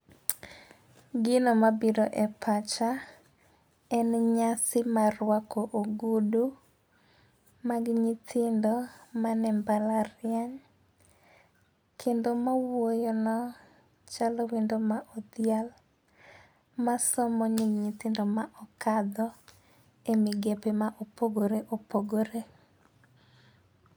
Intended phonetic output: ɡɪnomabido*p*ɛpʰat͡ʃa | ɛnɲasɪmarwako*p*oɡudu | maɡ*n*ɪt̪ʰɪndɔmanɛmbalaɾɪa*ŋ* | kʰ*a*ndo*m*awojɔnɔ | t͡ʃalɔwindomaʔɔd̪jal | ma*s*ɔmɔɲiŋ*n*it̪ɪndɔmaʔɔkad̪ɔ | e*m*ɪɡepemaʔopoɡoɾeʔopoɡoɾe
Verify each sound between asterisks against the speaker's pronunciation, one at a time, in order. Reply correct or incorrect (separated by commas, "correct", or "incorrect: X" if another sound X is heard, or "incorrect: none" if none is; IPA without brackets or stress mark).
incorrect: ʔ, incorrect: ʔ, incorrect: ɲ, incorrect: ɲ, incorrect: e, correct, correct, incorrect: ɲ, correct